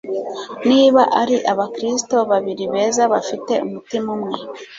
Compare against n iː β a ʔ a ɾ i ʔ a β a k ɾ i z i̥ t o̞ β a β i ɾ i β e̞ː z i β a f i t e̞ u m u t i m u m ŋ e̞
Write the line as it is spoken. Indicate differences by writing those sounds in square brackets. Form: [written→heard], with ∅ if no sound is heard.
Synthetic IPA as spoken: n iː β a ʔ a ɾ i ʔ a β a k ɾ i [z→s] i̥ t o̞ β a β i ɾ i β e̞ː z [i→a] β a f i t e̞ u m u t i m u m ŋ e̞